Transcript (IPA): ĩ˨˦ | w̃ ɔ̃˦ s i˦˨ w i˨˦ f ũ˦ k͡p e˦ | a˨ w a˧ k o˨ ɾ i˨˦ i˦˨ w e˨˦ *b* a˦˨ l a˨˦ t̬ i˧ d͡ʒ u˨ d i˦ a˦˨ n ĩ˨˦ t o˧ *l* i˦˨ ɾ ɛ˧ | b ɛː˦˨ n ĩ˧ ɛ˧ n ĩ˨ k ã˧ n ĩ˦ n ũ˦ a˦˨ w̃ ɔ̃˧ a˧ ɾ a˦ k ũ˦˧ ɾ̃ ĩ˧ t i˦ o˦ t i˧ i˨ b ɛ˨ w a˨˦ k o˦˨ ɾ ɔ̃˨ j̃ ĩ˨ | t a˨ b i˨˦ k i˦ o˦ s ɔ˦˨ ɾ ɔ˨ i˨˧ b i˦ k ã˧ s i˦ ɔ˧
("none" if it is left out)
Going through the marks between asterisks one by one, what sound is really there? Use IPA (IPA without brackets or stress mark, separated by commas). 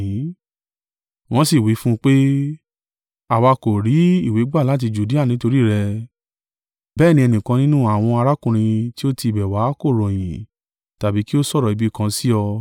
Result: ɡ͡b, ɾ